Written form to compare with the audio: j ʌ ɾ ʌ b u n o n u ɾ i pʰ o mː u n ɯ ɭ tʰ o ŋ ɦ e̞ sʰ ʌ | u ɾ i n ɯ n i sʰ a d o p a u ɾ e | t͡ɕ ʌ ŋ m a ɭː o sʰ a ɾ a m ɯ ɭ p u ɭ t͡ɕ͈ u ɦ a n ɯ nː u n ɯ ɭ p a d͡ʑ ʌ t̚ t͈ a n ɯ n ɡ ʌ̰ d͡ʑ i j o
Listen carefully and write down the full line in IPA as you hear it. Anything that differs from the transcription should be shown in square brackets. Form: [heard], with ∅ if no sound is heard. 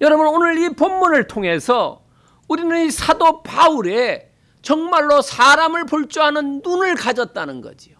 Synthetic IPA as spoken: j ʌ ɾ ʌ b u n o n [ɯ] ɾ i [p] o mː u n ɯ ɭ tʰ o ŋ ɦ e̞ sʰ ʌ | u ɾ i n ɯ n i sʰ a d o p a u ɾ e | t͡ɕ ʌ ŋ m a ɭː o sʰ a ɾ a m ɯ ɭ p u ɭ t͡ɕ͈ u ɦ a n ɯ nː u n ɯ ɭ [k] a d͡ʑ ʌ t̚ t͈ a n ɯ n ɡ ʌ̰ d͡ʑ i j o